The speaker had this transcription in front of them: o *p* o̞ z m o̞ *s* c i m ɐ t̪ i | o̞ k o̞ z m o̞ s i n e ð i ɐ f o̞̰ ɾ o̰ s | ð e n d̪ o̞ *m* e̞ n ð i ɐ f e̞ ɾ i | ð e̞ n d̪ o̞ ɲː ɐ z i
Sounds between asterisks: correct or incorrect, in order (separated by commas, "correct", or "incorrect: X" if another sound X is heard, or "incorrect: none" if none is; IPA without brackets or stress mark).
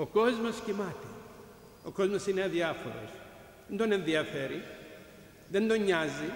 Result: incorrect: k, correct, incorrect: n